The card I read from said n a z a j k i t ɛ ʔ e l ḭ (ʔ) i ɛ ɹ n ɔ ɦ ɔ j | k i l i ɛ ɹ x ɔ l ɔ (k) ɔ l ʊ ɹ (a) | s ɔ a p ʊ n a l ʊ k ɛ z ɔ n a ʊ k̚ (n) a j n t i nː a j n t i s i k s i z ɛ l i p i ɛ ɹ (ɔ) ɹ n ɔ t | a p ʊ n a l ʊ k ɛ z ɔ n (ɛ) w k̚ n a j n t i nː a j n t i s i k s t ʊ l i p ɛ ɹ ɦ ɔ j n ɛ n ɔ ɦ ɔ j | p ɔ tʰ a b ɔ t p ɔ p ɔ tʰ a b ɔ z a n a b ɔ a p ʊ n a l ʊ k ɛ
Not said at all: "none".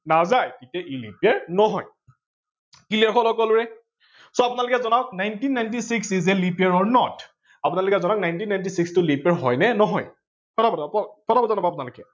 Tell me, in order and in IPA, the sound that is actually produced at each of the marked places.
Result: p, k, ɛ, n, ɔ, a

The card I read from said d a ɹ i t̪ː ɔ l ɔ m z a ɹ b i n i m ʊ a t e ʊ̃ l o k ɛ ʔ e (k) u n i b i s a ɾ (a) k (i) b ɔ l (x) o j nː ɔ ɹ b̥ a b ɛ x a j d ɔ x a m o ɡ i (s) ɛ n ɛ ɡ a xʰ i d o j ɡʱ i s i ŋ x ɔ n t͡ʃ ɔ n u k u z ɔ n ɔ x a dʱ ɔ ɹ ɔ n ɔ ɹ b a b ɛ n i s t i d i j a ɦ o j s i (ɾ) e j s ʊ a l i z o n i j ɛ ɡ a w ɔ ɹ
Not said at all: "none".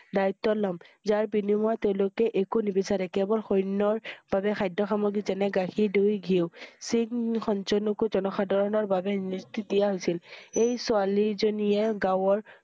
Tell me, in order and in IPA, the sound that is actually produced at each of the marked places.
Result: k, ɛ, ɛ, x, z, l

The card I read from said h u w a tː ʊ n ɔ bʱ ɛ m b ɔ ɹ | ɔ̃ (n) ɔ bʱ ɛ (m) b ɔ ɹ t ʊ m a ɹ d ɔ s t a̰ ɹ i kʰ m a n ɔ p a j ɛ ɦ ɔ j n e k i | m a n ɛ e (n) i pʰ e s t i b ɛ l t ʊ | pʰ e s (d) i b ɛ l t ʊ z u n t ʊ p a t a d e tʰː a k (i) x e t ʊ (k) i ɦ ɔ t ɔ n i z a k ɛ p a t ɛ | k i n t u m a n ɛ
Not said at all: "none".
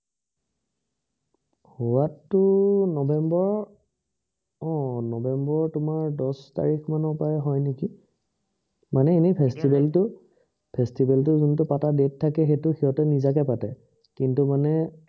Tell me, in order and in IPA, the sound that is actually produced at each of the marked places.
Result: n, m, n, t, ɛ, x

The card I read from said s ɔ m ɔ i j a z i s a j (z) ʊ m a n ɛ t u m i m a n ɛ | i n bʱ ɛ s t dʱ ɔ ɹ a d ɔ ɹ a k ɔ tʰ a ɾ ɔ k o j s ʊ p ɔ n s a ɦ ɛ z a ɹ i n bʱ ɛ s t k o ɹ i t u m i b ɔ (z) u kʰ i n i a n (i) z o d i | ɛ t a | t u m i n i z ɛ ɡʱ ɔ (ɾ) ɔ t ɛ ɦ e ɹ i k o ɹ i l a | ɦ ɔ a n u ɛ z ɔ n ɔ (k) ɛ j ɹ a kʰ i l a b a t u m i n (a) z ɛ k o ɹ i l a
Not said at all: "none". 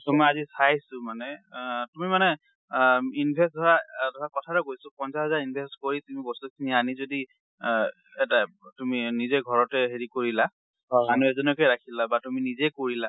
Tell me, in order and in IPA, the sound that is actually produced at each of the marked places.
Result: s, s, i, ɹ, k, i

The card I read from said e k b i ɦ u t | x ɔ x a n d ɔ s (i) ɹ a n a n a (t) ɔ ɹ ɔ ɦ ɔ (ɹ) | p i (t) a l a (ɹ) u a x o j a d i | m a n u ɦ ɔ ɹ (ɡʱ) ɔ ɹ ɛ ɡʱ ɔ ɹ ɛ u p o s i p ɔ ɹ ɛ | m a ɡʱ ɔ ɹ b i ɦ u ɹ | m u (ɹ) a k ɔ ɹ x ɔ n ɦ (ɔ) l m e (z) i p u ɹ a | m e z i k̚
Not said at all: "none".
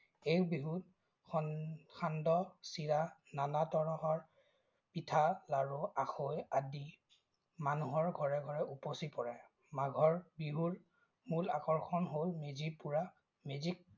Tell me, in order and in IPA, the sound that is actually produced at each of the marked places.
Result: i, t, ɹ, tʰ, ɹ, ɡʱ, l, o, z

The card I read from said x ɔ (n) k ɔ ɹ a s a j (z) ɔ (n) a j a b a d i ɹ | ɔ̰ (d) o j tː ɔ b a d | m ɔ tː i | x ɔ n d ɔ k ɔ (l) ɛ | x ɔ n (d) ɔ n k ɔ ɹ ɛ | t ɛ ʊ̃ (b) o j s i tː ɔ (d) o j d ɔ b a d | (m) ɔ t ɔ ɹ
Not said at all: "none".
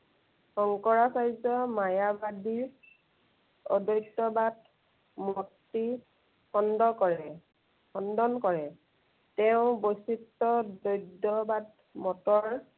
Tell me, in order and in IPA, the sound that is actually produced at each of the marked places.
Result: ŋ, z, m, d, ɹ, d, b, d, m

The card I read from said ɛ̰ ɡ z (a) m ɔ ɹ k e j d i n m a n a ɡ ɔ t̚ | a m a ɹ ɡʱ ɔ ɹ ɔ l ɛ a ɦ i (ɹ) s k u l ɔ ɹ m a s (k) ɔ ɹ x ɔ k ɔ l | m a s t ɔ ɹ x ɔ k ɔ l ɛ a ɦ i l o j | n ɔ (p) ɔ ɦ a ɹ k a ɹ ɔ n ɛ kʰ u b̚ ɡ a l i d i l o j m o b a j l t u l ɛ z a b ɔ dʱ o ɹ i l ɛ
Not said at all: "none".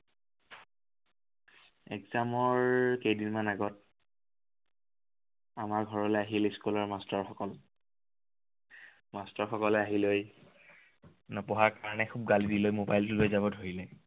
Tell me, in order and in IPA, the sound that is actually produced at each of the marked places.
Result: a, l, t, p

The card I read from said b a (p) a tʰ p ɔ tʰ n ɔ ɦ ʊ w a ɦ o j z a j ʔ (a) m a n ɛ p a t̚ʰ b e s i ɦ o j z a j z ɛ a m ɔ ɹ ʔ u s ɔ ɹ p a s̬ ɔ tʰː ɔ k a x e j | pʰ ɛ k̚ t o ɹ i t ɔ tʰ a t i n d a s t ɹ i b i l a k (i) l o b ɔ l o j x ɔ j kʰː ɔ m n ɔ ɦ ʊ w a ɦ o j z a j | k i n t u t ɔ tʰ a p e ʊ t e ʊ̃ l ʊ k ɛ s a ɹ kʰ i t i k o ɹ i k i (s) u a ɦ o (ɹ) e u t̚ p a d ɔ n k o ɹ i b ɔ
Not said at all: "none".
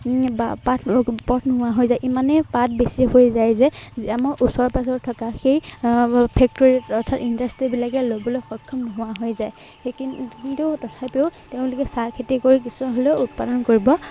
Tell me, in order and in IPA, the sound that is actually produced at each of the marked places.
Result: p, i, ɛ, s, l

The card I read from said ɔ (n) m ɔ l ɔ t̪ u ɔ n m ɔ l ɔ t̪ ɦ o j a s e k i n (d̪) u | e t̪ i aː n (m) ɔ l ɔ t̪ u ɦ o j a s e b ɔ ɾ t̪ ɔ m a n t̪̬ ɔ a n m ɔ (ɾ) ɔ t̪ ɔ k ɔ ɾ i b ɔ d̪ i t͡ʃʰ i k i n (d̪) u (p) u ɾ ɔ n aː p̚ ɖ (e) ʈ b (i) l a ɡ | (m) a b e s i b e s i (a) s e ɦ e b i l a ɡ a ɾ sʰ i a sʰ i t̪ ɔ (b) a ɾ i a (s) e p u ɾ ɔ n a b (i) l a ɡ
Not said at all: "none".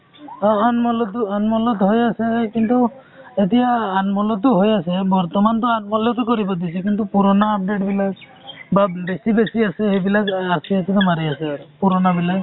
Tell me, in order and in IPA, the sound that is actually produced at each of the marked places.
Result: n, t̪, m, l, t̪, p, e, i, b, a, m, s, i

